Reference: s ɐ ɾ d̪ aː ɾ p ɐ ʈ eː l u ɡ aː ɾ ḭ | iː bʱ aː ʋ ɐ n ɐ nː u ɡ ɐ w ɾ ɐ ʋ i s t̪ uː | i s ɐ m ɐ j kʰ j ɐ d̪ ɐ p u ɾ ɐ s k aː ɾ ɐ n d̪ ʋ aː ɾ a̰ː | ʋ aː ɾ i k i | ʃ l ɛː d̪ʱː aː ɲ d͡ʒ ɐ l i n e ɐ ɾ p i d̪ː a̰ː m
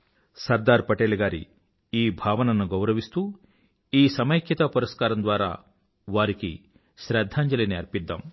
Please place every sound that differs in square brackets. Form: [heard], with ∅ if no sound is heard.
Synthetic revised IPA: s ɐ ɾ d̪ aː ɾ p ɐ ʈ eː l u ɡ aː ɾ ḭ | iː bʱ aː ʋ ɐ n ɐ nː u ɡ ɐ w ɾ ɐ ʋ i s t̪ uː | [iː] s ɐ m ɐ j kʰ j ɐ [t̪] ɐ p u ɾ ɐ s k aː ɾ ɐ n d̪ ʋ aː ɾ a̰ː | ʋ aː ɾ i k i | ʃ [ɾ] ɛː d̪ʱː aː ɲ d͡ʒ ɐ l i n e ɐ ɾ p i d̪ː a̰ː m